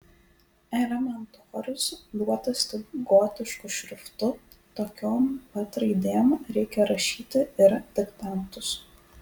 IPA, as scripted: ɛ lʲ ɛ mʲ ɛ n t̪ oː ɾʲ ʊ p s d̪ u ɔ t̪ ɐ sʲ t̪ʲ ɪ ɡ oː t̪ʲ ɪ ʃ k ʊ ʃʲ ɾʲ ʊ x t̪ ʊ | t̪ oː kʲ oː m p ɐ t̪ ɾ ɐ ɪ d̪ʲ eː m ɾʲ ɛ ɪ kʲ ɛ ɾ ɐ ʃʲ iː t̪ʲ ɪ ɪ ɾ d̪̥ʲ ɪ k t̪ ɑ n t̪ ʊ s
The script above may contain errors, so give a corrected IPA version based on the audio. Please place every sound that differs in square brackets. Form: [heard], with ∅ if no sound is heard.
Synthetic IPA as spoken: ɛ lʲ ɛ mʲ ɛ n t̪ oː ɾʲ ʊ [∅] s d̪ u ɔ t̪ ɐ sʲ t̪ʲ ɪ ɡ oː t̪ʲ ɪ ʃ k ʊ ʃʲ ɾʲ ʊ [f] t̪ ʊ | t̪ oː kʲ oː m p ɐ t̪ ɾ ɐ ɪ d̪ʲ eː m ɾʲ ɛ ɪ kʲ ɛ ɾ ɐ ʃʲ iː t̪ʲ ɪ ɪ ɾ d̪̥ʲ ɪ k t̪ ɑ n t̪ ʊ s